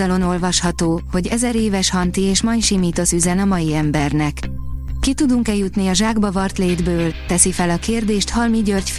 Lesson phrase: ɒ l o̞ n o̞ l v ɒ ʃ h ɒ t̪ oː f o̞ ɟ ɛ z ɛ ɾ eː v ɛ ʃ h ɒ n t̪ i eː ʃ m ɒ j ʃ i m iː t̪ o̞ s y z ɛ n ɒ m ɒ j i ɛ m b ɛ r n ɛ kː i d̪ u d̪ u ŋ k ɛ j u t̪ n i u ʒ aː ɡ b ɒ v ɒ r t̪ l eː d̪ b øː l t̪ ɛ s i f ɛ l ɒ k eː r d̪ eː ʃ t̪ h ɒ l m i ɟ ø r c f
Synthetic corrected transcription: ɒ l o̞ n o̞ l v ɒ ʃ h ɒ t̪ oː h o̞ ɟ ɛ z ɛ ɾ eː v ɛ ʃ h ɒ n t̪ i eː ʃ m ɒ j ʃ i m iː t̪ o̞ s y z ɛ n ɒ m ɒ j i ɛ m b ɛ r n ɛ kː i t̪ u d̪ u ŋ k ɛ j u t̪ n i ɒ ʒ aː ɡ b ɒ v ɒ r t̪ l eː d̪ b øː l t̪ ɛ s i f ɛ l ɒ k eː r d̪ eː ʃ t̪ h ɒ l m i ɟ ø r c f